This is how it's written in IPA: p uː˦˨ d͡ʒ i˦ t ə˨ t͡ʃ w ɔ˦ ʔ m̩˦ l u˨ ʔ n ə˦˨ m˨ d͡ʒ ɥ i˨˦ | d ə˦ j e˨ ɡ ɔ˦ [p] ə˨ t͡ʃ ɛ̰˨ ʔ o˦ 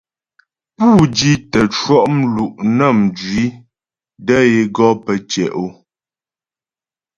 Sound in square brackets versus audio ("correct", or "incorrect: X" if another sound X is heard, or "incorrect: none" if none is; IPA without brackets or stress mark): correct